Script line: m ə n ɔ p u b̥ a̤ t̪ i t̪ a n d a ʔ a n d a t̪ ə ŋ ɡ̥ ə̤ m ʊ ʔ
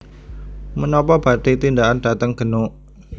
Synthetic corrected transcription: m ə n ɔ p ɔ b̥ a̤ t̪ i t̪ i n d a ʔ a n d a t̪ ə ŋ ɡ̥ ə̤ n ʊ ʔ